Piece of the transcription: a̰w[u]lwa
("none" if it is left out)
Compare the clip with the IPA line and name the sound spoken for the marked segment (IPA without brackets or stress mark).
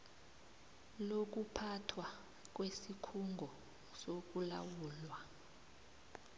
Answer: uː